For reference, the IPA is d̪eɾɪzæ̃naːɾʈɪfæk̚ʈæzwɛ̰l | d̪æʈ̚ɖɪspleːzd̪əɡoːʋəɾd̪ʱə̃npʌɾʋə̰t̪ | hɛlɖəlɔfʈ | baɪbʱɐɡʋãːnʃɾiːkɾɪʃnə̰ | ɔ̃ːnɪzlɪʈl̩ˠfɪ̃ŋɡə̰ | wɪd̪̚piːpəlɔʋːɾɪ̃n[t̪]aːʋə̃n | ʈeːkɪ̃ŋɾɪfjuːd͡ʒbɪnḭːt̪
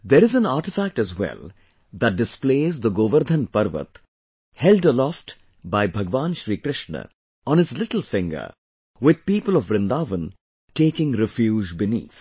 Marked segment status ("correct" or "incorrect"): incorrect